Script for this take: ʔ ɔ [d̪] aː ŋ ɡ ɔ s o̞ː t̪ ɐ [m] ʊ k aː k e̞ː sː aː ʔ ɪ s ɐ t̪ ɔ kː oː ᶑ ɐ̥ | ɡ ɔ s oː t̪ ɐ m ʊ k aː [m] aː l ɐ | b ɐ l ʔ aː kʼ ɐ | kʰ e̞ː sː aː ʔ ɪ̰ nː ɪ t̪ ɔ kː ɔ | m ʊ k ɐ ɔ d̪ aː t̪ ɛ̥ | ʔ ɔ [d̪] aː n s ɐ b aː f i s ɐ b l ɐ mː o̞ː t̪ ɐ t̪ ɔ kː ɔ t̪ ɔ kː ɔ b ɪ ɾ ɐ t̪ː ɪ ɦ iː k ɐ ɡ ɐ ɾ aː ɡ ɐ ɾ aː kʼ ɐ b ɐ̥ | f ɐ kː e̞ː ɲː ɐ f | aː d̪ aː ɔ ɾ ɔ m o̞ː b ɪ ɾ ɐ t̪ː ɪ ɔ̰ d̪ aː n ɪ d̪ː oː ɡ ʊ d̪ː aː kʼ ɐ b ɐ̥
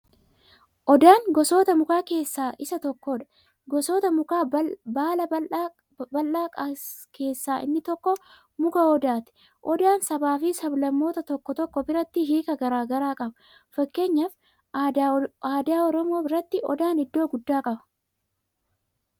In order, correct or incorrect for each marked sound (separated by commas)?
correct, correct, incorrect, correct